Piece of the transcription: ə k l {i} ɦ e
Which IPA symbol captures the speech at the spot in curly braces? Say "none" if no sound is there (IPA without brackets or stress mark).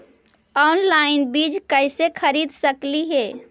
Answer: i